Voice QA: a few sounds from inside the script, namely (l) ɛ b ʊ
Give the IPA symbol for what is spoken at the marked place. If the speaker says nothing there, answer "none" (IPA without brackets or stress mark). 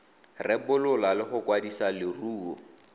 r